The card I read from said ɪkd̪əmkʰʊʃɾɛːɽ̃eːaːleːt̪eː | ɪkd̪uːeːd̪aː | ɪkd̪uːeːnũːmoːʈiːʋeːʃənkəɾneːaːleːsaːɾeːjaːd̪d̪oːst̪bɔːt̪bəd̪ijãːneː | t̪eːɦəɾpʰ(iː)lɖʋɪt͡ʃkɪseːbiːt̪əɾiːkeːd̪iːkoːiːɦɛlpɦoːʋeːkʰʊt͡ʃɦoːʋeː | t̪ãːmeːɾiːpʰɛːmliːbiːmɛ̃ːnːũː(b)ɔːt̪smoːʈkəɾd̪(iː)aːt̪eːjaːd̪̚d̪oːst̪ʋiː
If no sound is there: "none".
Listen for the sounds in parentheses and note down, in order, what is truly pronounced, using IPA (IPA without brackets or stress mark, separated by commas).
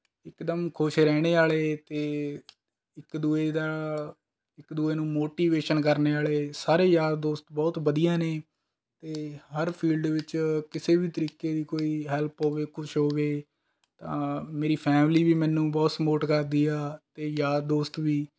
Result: iː, b, iː